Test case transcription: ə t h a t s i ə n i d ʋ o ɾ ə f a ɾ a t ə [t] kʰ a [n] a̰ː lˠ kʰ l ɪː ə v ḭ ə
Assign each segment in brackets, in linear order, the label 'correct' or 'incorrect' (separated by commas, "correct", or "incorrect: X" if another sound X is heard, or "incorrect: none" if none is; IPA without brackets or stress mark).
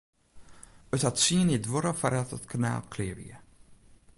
correct, correct